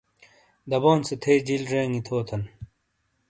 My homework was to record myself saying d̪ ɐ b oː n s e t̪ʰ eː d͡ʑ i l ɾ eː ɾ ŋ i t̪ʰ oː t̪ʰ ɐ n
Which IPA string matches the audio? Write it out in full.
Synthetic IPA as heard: d̪ ɐ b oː n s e t̪ʰ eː d͡ʑ i l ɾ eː ŋ i t̪ʰ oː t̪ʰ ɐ n